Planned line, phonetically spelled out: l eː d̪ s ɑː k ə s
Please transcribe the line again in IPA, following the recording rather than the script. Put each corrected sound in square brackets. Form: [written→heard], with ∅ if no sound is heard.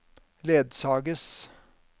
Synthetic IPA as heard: l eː d̪ s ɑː [k→ɡ] ə s